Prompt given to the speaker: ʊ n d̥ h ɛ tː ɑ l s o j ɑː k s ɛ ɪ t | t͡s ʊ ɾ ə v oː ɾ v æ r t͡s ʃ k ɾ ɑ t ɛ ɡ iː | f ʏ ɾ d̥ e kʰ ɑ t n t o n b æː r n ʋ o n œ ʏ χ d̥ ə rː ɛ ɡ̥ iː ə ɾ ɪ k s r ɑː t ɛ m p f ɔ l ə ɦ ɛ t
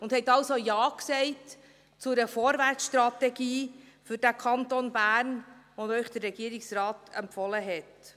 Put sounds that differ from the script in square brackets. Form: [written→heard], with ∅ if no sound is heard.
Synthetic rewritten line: ʊ n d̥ h ɛ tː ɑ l s o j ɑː k s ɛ ɪ t | t͡s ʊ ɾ ə [v→f] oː ɾ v æ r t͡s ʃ [k→t] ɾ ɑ t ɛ ɡ iː | f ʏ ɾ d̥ [e→æ] kʰ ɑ [t→∅] n t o n b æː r n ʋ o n œ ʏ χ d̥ ə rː ɛ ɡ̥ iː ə ɾ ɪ k s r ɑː t ɛ m p f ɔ l ə ɦ ɛ t